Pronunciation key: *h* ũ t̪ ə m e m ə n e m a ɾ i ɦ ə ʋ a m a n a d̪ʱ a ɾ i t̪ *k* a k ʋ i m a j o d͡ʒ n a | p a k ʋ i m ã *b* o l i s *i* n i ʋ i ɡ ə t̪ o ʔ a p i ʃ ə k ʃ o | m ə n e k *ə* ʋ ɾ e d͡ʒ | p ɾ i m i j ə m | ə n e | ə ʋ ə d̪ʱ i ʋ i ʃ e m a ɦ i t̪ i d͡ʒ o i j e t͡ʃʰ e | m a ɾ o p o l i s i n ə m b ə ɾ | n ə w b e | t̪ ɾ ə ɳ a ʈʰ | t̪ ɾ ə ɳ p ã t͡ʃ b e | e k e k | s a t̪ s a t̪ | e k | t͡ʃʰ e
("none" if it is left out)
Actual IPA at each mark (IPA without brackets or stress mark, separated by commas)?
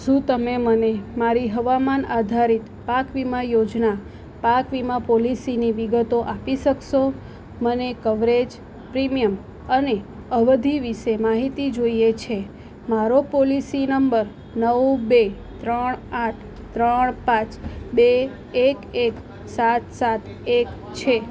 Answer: ʃ, p, p, i, ə